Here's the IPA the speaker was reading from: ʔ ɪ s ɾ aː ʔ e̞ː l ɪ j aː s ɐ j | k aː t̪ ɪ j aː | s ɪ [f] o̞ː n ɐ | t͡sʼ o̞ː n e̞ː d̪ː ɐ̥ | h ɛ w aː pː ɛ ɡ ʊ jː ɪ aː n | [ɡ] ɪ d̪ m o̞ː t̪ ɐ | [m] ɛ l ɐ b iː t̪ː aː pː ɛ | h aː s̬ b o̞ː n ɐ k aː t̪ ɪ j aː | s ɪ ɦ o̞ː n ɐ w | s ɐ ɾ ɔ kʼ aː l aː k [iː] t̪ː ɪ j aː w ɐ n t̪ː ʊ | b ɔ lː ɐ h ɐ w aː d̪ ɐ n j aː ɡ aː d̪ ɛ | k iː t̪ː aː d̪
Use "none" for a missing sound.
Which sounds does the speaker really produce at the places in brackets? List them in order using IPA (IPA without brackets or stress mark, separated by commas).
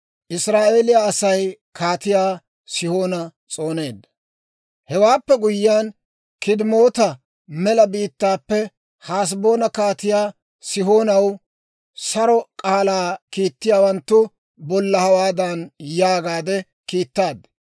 h, k, m, iː